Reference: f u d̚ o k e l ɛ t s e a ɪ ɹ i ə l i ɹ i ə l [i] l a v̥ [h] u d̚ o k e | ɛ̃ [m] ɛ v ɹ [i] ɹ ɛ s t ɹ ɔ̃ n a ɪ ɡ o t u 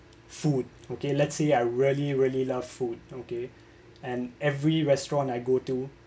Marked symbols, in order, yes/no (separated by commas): yes, no, no, yes